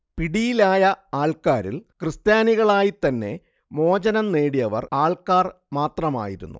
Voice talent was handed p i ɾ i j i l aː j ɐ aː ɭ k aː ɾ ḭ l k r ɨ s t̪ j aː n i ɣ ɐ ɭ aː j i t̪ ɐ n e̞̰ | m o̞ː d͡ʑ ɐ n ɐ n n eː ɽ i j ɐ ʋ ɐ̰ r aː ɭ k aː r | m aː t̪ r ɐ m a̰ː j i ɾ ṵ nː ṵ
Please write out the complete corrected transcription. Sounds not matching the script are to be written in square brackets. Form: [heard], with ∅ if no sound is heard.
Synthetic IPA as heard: p i [ɽ] i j i l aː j ɐ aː ɭ k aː ɾ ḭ l k r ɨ s t̪ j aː n i ɣ ɐ ɭ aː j i t̪ ɐ [nː] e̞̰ | m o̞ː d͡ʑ ɐ n ɐ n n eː ɽ i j ɐ ʋ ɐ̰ r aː ɭ k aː r | m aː t̪ r ɐ m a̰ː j i ɾ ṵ nː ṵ